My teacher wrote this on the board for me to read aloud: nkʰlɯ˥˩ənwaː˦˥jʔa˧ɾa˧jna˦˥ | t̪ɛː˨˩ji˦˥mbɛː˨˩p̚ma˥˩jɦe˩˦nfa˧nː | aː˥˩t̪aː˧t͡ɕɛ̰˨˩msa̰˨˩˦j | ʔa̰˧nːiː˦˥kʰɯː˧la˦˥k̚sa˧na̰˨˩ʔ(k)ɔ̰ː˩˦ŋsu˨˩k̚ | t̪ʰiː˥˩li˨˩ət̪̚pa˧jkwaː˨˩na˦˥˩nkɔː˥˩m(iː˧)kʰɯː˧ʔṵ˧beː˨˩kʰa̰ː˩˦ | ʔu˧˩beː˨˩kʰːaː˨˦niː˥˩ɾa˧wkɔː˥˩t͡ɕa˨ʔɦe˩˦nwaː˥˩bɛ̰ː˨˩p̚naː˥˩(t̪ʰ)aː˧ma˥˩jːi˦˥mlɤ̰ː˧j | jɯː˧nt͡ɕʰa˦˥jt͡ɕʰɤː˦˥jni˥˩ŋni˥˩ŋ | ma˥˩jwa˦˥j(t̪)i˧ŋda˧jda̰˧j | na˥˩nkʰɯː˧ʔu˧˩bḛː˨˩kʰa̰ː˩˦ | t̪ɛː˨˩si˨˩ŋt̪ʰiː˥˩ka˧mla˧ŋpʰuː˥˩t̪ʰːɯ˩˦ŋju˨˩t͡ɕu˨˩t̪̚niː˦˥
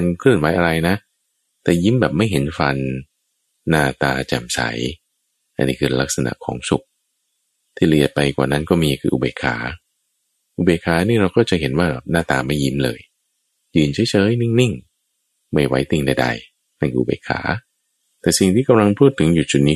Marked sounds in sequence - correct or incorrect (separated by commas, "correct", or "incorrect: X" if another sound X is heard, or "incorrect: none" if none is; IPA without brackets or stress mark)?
incorrect: kʰ, correct, incorrect: t̪, correct